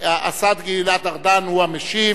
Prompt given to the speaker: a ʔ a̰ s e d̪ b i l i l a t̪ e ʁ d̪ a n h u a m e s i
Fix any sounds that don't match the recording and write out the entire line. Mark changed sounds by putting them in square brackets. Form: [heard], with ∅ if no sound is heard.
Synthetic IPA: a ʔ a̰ s [a] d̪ [ɡ] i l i l a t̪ [a] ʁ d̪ a n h u a m e [ʃ] i